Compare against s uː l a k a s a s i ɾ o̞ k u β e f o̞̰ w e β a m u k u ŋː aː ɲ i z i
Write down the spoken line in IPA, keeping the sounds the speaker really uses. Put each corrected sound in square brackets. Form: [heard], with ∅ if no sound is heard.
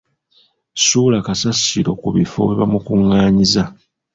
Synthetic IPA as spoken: s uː l a k a s a s i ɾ o̞ k u β [i] f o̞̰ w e β a m u k u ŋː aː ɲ i z [a]

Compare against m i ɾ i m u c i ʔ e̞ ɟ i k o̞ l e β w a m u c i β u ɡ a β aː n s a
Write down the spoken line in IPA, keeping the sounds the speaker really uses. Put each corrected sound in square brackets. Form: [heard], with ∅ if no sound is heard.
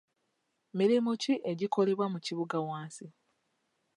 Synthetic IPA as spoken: m i ɾ i m u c i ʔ e̞ ɟ i k o̞ l e β w a m u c i β u ɡ a [w] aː n s [i]

